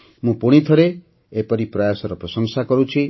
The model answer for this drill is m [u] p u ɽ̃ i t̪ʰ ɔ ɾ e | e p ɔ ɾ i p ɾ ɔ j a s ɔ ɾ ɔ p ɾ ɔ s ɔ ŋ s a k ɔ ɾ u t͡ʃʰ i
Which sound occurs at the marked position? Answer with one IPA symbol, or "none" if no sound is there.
ũ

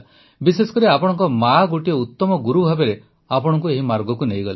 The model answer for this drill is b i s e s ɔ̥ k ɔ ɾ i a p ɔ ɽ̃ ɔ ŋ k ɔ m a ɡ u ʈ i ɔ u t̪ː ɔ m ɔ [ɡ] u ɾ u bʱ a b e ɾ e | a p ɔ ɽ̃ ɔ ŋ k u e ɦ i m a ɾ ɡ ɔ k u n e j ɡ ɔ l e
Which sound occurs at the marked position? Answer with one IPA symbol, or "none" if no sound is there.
ɡ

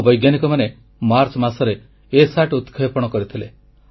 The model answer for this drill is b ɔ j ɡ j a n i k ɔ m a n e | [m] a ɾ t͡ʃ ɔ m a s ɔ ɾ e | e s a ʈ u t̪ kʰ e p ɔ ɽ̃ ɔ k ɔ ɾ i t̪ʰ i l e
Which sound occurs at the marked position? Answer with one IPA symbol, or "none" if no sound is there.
m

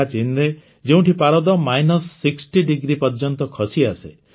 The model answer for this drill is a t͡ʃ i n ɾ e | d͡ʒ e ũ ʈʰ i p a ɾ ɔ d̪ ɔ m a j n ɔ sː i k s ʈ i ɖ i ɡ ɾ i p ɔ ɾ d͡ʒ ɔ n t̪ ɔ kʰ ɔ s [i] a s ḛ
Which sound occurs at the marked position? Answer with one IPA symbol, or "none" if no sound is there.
i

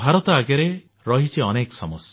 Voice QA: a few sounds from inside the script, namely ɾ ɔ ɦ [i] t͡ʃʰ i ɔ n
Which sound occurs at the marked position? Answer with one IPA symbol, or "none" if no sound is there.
i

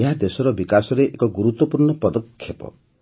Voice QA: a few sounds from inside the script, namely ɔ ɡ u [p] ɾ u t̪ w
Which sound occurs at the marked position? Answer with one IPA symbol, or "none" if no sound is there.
none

